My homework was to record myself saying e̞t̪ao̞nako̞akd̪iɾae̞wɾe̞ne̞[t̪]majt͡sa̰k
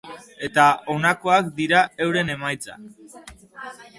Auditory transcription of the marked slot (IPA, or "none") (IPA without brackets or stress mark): none